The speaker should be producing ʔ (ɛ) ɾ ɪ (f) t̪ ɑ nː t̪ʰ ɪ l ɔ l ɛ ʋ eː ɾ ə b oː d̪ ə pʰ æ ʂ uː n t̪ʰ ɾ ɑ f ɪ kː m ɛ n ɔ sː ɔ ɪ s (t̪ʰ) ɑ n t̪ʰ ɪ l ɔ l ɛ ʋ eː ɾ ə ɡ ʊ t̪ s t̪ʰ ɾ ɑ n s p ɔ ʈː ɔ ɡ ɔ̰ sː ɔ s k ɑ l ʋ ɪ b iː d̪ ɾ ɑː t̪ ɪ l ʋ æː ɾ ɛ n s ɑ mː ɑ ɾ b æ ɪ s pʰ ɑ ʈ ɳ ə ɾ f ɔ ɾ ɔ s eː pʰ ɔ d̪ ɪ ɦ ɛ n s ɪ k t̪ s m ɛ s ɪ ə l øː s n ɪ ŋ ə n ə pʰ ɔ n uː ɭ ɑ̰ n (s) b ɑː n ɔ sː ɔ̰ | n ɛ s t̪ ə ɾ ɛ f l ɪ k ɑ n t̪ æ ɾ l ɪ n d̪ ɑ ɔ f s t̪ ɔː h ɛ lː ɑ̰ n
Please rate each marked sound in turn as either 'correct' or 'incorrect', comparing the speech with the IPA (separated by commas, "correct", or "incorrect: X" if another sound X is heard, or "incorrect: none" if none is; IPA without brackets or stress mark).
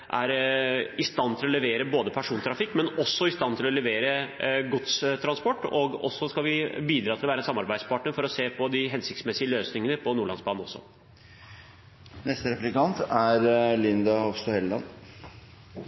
incorrect: æ, incorrect: s, incorrect: t̪, correct